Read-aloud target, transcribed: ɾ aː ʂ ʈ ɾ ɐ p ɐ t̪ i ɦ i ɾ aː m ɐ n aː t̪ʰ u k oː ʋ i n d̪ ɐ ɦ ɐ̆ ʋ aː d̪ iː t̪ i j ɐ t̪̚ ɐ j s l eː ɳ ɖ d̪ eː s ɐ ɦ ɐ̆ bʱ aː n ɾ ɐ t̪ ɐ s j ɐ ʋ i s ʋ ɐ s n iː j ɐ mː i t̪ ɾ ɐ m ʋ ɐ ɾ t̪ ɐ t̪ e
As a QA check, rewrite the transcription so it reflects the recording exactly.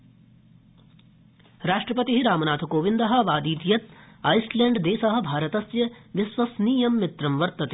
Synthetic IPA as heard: ɾ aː ʂ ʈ ɾ ɐ p ɐ t̪ i ɦ i ɾ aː m ɐ n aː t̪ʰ u k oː ʋ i n d̪ ɐ ɦ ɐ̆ ʋ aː d̪ iː t̪ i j ɐ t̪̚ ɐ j s l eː ɳ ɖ d̪ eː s ɐ ɦ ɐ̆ bʱ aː ɾ ɐ t̪ ɐ s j ɐ ʋ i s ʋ ɐ s n iː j ɐ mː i t̪ ɾ ɐ m ʋ ɐ ɾ t̪ ɐ t̪ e